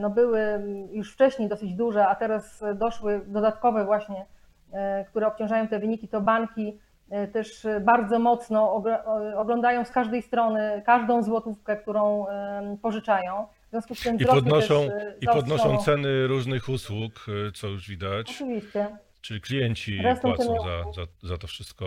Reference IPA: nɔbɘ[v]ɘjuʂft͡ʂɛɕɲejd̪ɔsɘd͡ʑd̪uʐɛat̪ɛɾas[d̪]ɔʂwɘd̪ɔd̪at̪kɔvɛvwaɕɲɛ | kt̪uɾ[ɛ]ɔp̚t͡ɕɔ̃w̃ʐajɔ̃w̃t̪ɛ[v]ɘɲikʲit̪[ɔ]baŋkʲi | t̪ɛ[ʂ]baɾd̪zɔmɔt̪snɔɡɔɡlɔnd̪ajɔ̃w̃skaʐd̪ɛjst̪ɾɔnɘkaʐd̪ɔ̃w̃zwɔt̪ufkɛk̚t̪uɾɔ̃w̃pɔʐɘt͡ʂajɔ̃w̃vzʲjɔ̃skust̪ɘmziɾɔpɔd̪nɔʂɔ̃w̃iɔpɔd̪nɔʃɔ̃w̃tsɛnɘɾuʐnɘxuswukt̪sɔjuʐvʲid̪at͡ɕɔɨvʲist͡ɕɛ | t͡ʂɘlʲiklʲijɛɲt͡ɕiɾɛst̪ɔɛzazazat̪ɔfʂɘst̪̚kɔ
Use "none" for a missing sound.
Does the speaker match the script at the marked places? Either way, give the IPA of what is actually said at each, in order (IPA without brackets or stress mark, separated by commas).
w, d̪, ɛ, v, ɔ, ʂ